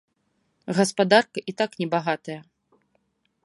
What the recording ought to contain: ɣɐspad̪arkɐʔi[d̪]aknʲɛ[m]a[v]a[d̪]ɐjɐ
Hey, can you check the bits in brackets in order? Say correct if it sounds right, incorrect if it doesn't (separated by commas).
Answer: incorrect, incorrect, incorrect, incorrect